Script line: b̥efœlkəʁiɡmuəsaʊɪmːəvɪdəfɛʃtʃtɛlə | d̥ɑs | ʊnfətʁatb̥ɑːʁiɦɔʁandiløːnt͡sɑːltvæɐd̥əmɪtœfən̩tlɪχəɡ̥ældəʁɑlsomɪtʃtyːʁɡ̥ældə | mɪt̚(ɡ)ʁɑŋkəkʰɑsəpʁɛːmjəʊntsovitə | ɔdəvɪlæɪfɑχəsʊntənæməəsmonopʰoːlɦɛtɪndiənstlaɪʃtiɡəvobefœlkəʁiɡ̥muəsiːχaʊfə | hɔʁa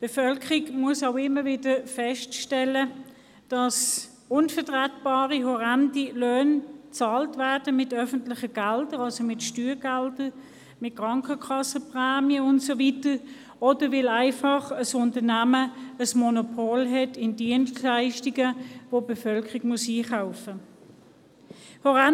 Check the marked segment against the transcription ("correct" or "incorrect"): incorrect